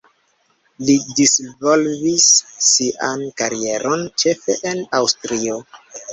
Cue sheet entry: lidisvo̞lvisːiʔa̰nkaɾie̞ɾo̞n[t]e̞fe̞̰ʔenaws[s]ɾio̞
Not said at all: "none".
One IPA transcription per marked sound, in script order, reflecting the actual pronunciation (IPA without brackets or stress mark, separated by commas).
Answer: t͡ʃ, t